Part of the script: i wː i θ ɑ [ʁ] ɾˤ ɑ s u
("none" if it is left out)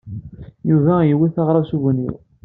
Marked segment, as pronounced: ʁ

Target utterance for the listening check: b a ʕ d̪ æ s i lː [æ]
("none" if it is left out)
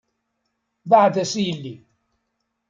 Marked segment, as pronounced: i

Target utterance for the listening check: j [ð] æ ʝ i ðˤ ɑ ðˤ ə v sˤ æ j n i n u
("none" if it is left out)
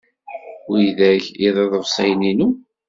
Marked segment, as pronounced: ð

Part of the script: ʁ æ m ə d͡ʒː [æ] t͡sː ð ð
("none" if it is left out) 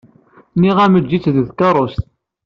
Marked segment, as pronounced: i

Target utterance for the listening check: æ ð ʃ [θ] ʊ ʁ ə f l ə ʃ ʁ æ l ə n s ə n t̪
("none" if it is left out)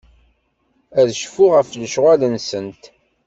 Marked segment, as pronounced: f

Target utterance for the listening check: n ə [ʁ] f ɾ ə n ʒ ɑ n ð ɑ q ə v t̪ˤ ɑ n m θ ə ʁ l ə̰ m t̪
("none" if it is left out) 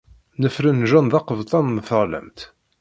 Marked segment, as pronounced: none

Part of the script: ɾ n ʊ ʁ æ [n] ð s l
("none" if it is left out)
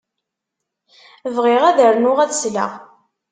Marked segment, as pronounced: none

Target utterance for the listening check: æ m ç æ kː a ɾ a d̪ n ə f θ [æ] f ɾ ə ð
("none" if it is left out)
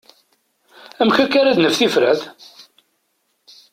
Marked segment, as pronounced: i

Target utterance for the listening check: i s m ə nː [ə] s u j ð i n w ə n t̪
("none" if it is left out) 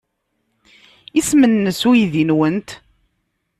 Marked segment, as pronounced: ə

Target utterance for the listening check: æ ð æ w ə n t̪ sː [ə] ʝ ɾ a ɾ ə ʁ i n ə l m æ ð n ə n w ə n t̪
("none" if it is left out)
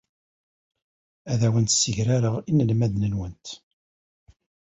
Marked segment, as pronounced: ə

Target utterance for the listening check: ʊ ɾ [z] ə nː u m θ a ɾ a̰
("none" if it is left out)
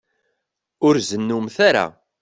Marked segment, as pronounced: z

